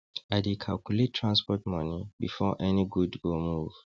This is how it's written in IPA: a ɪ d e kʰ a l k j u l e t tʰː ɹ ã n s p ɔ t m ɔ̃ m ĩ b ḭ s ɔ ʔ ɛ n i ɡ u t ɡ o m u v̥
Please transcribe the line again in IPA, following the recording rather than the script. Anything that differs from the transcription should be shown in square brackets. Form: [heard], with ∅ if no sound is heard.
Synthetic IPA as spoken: a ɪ d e kʰ a l k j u l e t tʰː ɹ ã n s p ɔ t m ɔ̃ [n] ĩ b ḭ [f] ɔ ʔ ɛ n i ɡ u [d] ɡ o m u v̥